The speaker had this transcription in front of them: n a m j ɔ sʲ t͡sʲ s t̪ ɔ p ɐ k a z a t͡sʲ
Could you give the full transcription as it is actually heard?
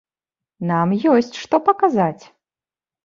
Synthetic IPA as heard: n a m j ɔ sʲ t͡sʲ ʂ t̪ ɔ p ɐ k a z a t͡sʲ